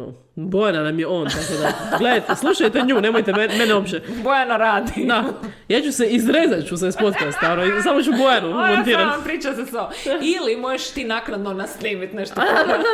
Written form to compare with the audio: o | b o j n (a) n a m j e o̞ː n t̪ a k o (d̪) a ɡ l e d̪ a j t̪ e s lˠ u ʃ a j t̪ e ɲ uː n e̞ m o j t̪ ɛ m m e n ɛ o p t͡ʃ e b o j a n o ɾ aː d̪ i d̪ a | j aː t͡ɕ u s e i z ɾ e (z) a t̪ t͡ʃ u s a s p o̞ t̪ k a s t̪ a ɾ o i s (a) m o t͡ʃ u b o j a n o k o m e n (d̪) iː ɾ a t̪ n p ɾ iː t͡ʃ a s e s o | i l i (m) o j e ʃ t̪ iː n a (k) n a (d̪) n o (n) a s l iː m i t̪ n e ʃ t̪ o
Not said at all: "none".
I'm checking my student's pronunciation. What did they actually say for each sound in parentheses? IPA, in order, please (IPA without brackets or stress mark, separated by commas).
a, d̪, z, a, t̪, m, k, d̪, n